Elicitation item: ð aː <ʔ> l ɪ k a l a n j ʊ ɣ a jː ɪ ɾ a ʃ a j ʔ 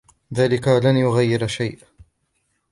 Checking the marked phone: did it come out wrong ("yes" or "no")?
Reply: yes